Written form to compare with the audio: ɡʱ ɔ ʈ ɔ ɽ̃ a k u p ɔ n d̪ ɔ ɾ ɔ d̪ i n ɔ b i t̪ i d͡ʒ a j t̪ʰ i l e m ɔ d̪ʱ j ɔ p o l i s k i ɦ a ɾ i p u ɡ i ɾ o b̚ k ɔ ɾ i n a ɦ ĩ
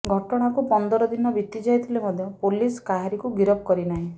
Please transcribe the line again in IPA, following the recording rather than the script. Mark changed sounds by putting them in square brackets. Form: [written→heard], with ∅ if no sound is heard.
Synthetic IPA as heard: ɡʱ ɔ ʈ ɔ ɽ̃ a k u p ɔ n d̪ ɔ ɾ ɔ d̪ i n ɔ b i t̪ i d͡ʒ a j t̪ʰ i l e m ɔ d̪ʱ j ɔ p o l i s k [i→a] ɦ a ɾ i [p→k] u ɡ i ɾ [o→ɔ] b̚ k ɔ ɾ i n a ɦ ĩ